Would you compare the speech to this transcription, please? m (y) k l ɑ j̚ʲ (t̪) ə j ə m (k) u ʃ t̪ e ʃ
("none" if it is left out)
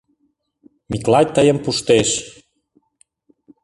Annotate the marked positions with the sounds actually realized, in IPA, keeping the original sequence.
i, t̪, p

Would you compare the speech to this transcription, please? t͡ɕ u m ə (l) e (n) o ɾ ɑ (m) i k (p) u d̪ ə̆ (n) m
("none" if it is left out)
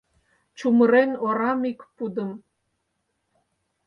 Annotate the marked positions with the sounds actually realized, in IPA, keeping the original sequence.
ɾ, n, m, p, none

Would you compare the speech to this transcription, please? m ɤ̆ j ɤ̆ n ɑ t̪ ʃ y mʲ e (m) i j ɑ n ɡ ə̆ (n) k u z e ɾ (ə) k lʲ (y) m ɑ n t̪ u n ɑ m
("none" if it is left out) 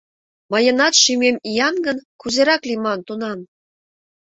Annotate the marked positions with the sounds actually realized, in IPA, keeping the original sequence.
m, n, ɑ, i

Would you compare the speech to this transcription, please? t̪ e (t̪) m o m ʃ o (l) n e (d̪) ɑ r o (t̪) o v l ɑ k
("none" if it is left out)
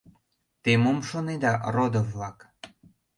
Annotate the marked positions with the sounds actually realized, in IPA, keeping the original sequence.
none, none, d̪, d̪

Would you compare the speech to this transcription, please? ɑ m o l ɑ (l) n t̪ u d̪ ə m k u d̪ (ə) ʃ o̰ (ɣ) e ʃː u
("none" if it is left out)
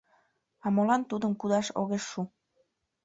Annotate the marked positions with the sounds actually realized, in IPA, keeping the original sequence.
none, ɑ, ɣ

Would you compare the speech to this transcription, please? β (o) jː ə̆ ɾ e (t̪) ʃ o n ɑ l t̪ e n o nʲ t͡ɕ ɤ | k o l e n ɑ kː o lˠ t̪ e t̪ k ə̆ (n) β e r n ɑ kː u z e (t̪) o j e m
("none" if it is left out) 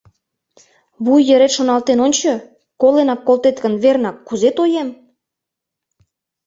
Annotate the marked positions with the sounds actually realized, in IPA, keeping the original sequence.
u, t̪, n, t̪

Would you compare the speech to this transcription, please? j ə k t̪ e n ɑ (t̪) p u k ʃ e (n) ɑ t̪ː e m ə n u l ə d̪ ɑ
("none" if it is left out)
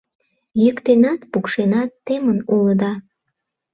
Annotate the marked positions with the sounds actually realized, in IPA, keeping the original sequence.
t̪, n

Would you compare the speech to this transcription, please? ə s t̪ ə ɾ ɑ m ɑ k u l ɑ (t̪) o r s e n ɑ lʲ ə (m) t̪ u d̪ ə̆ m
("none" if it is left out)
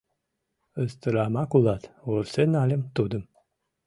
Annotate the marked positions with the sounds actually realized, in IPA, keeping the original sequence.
t̪, m

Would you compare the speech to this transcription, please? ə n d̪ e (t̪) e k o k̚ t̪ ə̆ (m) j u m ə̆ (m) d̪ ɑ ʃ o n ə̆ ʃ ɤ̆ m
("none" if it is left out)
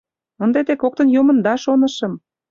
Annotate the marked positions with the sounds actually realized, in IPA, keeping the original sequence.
t̪, n, n

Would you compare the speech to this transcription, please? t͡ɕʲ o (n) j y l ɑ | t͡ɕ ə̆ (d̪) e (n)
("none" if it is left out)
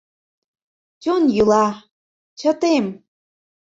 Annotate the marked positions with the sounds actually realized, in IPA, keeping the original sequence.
n, t̪, m

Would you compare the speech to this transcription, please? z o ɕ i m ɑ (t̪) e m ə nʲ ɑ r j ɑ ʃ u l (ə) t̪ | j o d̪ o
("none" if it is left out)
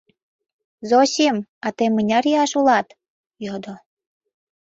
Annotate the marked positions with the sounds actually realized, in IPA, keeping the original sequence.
t̪, ɑ

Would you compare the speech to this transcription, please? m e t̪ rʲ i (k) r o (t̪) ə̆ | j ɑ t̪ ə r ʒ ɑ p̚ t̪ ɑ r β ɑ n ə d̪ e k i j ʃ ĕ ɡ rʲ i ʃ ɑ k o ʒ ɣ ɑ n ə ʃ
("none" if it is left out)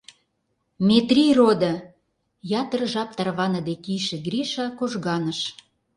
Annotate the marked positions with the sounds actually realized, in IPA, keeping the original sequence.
none, d̪

